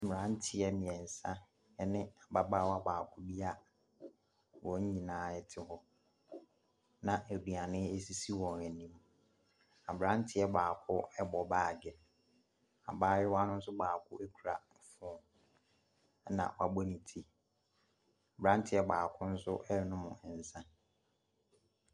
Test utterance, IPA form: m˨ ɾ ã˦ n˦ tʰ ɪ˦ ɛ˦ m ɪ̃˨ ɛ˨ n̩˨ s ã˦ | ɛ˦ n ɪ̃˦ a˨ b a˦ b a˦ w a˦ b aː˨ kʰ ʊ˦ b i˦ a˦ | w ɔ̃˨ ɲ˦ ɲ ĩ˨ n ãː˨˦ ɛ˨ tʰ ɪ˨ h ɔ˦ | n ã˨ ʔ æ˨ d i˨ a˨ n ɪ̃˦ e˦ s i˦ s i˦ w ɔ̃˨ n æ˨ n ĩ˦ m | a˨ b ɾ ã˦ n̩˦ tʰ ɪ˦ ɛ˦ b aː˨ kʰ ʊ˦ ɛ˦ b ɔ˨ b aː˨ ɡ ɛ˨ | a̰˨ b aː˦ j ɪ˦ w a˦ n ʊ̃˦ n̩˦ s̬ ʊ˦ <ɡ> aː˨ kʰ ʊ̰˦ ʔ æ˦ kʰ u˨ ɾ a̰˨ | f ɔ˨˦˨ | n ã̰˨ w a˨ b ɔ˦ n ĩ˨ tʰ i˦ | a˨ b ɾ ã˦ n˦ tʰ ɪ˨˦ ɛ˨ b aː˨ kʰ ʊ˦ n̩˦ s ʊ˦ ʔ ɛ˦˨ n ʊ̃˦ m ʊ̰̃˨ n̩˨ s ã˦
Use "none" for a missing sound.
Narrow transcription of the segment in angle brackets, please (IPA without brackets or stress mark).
b